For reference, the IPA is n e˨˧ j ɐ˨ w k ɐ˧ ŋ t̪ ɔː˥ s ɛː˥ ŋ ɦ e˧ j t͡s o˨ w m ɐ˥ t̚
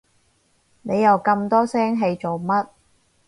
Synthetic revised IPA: n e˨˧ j ɐ˨ w k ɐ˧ m t̪ ɔː˥ s ɛː˥ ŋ ɦ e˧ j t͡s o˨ w m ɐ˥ t̚

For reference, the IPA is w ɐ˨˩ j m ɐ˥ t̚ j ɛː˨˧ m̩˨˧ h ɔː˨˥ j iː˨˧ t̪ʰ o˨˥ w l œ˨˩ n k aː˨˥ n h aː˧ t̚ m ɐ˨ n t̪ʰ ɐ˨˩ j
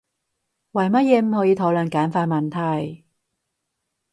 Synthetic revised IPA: w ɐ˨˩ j m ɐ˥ t̚ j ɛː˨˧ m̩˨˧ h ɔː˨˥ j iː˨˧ t̪ʰ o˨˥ w l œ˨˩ n k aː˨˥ n f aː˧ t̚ m ɐ˨ n t̪ʰ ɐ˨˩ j

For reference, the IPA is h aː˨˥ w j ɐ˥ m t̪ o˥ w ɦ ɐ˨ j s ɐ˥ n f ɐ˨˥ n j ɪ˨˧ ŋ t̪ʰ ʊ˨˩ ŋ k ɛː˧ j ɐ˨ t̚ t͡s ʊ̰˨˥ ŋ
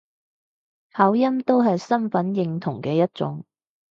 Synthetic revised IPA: h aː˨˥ w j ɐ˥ m t̪ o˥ w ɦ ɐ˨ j s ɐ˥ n f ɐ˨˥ n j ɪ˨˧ ŋ t̪ʰ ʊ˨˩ ŋ k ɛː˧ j ɐ˥ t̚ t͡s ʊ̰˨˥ ŋ

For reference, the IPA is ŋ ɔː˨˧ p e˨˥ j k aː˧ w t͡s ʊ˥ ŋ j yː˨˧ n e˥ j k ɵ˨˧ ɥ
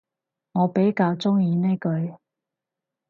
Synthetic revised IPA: ŋ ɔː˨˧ p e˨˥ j k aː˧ w t͡s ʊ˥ ŋ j iː˨˧ n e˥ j k ɵ˨˧ ɥ

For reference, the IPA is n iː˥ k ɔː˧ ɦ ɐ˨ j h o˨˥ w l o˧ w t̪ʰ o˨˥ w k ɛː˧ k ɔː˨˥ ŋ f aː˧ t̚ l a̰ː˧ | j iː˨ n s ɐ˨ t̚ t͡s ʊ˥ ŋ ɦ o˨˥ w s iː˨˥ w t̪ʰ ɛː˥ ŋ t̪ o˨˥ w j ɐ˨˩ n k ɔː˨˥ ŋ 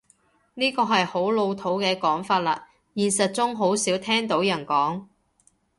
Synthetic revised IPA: n iː˥ k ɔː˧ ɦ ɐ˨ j h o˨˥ w l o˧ w t̪ʰ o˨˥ w k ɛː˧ k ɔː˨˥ ŋ f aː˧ t̚ l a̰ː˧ | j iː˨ n s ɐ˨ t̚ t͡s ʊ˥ ŋ ɦ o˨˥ w s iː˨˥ w t̪ʰ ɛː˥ ŋ t̪ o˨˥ w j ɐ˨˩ n k ɔː˨˥ ŋ

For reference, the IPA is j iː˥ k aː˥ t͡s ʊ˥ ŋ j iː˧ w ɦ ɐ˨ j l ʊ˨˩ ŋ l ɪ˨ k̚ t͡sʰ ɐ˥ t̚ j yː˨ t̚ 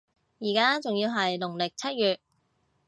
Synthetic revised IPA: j iː˨˩ k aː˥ t͡s ʊ˨ ŋ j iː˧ w ɦ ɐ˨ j l ʊ˨˩ ŋ l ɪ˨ k̚ t͡sʰ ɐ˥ t̚ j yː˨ t̚

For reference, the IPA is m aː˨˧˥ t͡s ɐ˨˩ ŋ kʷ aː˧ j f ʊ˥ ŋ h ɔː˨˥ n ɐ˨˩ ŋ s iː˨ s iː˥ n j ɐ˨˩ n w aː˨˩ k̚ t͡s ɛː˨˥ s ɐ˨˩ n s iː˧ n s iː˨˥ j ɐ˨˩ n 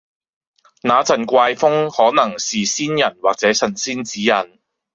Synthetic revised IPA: n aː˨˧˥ t͡s ɐ˨˩ n kʷ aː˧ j f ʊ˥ ŋ h ɔː˨˥ n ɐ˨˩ ŋ s iː˨ s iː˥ n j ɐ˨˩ n w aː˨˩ k̚ t͡s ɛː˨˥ s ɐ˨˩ n s iː˥ n t͡s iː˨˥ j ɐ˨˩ n

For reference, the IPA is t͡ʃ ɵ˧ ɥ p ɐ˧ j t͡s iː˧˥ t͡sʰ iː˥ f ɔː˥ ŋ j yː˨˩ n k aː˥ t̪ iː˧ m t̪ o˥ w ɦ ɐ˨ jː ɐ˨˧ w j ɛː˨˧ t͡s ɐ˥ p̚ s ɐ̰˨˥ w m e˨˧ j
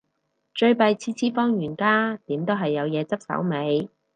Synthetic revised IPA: t͡ʃ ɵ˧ ɥ p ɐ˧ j t͡sʰ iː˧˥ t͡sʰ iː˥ f ɔː˥ ŋ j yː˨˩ n k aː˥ t̪ iː˨˥ m t̪ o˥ w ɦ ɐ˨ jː ɐ˨˧ w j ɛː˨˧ t͡s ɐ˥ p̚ s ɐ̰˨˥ w m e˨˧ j

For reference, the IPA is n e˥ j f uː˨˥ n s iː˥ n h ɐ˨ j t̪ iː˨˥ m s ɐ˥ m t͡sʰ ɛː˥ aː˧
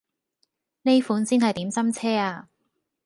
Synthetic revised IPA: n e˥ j f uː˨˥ n s iː˥ n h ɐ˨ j t̪ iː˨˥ m s ɐ˥ m t͡sʰ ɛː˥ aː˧

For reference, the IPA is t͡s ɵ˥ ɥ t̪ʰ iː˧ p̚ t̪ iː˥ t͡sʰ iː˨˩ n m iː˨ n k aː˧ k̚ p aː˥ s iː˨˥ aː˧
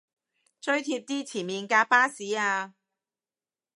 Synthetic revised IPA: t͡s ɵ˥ ɥ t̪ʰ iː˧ p̚ t̪ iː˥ t͡sʰ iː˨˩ n m iː˨ n k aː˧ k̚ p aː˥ s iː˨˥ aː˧

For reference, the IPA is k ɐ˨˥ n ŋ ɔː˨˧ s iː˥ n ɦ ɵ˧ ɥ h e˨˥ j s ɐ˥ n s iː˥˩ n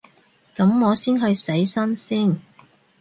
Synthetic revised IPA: k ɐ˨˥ m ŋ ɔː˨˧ s iː˥ n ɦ ɵ˧ ɥ s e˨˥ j s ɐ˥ n s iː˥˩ n

